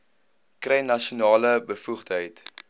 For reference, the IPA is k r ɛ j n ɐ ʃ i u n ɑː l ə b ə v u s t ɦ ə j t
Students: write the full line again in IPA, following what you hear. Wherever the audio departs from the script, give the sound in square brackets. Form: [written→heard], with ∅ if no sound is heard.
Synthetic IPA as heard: k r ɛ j n ɐ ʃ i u n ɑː l ə b ə [v→f] u [s→χ] t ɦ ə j t